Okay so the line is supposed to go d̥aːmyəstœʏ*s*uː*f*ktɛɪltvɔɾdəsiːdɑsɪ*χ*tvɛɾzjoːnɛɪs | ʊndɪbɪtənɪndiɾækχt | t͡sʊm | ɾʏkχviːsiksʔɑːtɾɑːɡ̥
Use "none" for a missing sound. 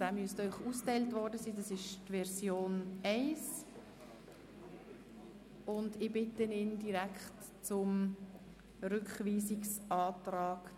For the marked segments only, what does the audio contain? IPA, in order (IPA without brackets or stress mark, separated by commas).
χ, s, ʃ